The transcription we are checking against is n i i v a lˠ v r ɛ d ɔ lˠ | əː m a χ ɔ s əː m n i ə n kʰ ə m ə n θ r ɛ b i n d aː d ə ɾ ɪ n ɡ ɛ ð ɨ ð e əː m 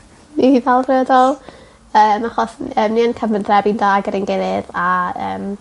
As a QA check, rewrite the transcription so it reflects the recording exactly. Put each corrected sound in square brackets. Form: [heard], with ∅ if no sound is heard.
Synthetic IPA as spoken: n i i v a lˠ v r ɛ d ɔ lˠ | əː m a χ ɔ s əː m n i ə n kʰ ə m ə n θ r ɛ b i n d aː [ɡ] ə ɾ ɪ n ɡ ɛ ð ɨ ð [a] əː m